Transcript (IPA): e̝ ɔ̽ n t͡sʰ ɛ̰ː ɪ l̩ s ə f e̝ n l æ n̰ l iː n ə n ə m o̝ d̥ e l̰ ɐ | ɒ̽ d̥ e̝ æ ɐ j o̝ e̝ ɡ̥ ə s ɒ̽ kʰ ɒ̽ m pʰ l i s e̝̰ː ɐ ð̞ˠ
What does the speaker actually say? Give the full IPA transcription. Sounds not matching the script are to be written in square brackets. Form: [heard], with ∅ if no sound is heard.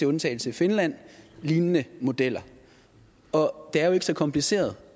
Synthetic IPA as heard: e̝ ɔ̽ n t͡sʰ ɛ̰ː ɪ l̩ s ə f e̝ n l æ n̰ l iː n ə n ə m o̝ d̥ e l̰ ɐ | ɒ̽ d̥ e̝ æ ɐ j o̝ e̝ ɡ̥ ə s ɒ̽ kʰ ɒ̽ m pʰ l i s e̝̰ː ɐ ð̞ˠ